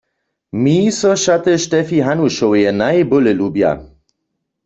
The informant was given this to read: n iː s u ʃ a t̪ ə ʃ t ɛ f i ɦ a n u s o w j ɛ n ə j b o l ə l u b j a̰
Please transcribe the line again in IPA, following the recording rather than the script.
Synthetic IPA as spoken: m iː s ɔ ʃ a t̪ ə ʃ t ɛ f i ɦ a n u ʃ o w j ɛ n a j b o l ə l u b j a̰